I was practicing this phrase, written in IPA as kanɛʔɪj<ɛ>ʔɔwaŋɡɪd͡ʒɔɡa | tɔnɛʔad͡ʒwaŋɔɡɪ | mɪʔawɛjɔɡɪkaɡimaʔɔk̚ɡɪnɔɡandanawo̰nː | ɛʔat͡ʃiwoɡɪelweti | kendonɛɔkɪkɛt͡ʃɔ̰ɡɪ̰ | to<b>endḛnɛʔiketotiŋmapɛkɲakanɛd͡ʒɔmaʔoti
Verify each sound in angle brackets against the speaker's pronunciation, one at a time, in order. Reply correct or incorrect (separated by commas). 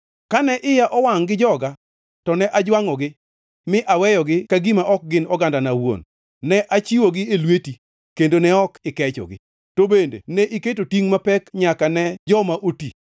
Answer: incorrect, correct